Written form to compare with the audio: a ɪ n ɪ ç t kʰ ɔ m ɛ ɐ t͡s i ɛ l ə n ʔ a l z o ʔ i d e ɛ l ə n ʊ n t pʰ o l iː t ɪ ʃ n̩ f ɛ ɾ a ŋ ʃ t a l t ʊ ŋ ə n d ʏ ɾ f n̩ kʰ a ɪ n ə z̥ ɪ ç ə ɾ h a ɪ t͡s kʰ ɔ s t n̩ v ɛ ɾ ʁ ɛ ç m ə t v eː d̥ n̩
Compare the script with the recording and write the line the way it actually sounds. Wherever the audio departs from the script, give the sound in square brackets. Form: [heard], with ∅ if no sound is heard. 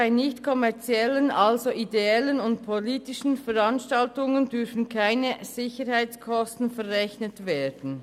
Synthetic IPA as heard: a ɪ n ɪ ç t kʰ ɔ m ɛ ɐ t͡s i ɛ l ə n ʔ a l z o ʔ i d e ɛ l ə n ʊ n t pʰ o l iː t ɪ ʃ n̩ f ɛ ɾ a [n] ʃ t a l t ʊ ŋ ə n d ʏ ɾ f n̩ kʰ a ɪ n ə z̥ ɪ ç ə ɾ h a ɪ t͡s kʰ ɔ s t n̩ [f] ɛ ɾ ʁ ɛ ç [n] ə t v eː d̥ n̩